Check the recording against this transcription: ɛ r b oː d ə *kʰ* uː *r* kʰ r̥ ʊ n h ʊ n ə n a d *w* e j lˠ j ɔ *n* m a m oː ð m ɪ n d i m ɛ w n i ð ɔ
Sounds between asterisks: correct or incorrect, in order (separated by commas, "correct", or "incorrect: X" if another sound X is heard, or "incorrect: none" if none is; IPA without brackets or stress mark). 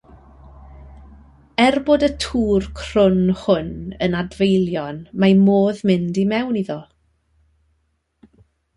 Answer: incorrect: tʰ, correct, incorrect: v, correct